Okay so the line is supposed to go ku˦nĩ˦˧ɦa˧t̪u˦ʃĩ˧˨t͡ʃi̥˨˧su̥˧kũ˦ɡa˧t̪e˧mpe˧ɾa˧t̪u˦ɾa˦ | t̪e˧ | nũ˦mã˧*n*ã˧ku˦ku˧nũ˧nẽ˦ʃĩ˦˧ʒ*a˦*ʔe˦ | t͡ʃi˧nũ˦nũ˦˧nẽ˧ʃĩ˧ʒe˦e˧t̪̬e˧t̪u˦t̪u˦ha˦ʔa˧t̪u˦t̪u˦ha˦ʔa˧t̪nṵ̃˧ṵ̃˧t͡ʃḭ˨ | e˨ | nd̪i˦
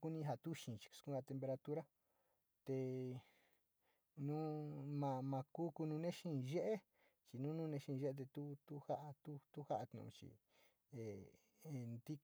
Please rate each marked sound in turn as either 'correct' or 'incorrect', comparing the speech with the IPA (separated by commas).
incorrect, incorrect